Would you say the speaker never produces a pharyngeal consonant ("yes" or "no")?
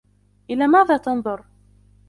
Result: yes